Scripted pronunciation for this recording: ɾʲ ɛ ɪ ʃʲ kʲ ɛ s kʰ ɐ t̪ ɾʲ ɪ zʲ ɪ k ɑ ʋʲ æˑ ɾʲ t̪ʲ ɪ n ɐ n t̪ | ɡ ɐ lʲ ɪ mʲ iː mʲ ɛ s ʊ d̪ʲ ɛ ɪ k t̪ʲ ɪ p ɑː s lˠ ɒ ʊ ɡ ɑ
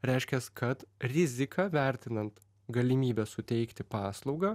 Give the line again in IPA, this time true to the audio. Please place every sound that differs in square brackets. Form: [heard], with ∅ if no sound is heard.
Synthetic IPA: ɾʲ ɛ ɪ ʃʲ kʲ ɛ s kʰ ɐ t̪ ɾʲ ɪ zʲ ɪ k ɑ ʋʲ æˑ ɾʲ t̪ʲ ɪ n ɐ n t̪ | ɡ ɐ lʲ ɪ mʲ iː [bʲ] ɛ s ʊ [t̪ʲ] ɛ ɪ k t̪ʲ ɪ p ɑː s lˠ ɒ ʊ ɡ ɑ